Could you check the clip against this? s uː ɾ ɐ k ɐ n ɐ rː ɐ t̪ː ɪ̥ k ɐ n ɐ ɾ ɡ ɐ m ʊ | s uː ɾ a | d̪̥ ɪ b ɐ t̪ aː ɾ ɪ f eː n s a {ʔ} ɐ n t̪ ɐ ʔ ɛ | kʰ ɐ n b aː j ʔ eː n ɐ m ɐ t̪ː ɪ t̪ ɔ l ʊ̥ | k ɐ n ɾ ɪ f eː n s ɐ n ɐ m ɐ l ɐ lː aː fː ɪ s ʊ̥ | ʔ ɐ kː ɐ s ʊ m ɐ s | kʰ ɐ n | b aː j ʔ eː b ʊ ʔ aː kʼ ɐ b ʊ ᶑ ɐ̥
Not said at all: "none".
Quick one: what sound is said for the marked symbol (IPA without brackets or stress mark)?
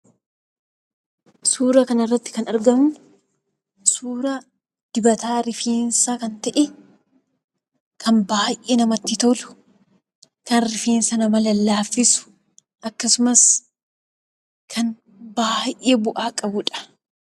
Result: k